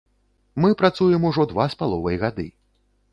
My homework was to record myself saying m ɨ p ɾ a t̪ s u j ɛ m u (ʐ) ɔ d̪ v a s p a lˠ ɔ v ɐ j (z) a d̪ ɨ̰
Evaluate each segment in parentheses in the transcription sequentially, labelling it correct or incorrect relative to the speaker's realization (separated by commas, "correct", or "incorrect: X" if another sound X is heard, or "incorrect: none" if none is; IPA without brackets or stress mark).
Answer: correct, incorrect: ɣ